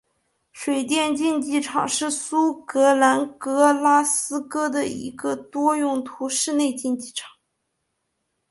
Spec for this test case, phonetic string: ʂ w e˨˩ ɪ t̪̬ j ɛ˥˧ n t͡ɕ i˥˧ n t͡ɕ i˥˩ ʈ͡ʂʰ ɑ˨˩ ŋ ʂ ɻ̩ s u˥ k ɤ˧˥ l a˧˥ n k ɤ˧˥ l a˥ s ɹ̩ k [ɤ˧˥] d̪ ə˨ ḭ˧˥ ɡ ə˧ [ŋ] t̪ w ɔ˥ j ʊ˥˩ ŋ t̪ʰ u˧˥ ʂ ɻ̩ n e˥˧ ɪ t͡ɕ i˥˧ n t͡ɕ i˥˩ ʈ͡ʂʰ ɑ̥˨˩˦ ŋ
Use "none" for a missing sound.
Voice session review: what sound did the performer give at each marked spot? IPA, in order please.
ɤ˥, none

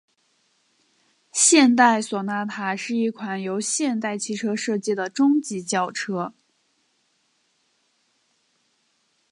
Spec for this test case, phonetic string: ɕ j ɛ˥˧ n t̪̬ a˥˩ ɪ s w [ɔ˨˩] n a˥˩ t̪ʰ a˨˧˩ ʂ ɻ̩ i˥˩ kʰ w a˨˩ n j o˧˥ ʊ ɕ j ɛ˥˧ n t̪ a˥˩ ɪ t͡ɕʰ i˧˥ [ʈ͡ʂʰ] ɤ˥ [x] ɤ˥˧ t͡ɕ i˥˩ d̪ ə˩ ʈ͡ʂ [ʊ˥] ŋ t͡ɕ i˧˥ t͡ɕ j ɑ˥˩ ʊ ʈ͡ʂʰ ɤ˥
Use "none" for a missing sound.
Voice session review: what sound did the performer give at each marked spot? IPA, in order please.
ɔ˨˩, ʈ͡ʂʰ, ʂ, ʊ˥

